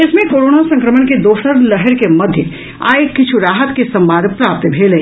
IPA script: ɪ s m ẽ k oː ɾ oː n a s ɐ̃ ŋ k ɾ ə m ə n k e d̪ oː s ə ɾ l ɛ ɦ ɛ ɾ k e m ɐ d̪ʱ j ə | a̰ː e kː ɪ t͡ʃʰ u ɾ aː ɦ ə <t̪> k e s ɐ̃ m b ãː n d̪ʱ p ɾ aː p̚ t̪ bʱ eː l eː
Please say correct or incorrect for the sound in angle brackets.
correct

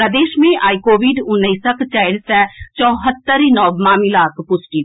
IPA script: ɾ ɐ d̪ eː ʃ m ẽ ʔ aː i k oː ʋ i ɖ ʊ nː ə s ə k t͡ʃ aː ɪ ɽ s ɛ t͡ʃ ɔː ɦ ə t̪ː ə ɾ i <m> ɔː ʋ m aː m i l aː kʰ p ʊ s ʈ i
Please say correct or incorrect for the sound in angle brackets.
incorrect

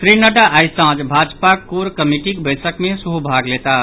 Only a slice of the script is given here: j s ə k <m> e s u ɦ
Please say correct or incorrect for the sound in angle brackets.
correct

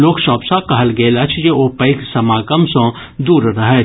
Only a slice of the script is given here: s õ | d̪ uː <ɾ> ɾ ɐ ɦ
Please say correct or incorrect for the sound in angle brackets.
correct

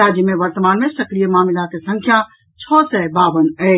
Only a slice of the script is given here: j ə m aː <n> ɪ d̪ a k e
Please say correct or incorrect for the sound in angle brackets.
incorrect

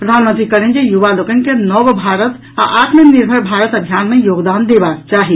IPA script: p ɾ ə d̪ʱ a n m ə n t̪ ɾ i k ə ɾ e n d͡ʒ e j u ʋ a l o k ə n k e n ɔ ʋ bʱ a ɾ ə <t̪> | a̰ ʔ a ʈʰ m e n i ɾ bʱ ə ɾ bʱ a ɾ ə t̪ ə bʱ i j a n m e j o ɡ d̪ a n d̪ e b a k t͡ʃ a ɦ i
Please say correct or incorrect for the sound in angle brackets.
correct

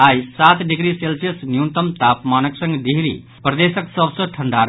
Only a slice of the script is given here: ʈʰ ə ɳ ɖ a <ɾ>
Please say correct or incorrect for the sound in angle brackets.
correct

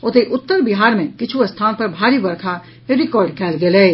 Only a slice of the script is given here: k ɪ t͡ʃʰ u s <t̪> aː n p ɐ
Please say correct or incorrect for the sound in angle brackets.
incorrect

